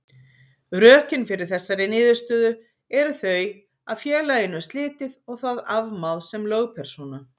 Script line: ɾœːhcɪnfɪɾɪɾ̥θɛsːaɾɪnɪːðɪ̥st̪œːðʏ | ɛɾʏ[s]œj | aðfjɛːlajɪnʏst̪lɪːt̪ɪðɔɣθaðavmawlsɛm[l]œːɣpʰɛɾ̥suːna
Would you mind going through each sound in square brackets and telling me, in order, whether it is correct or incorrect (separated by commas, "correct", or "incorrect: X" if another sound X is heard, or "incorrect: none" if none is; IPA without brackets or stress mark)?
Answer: incorrect: θ, correct